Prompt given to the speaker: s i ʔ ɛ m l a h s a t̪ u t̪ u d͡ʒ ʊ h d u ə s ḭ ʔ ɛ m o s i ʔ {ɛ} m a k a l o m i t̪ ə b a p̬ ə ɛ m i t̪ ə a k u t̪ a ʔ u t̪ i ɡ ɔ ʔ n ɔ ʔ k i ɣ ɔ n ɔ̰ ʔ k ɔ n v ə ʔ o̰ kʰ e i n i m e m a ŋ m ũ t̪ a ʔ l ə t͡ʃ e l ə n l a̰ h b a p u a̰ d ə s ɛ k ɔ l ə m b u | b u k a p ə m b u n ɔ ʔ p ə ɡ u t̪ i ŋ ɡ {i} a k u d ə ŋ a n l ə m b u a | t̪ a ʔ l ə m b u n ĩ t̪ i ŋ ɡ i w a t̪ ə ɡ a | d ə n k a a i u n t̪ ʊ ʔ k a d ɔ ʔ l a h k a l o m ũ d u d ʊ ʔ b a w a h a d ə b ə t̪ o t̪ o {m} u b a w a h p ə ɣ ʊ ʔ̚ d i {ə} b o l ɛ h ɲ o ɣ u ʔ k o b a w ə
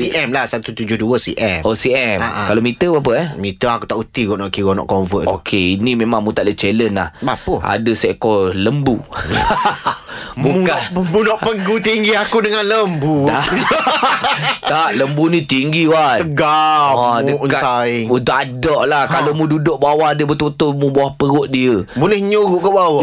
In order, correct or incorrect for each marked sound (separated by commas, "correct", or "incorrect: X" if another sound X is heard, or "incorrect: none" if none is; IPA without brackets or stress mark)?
correct, correct, correct, correct